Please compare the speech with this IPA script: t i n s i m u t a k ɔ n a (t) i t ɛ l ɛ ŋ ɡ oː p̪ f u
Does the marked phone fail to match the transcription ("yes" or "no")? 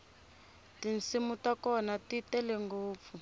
no